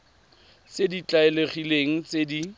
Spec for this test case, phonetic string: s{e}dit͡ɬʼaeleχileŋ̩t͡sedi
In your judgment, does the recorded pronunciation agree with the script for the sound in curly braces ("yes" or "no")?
yes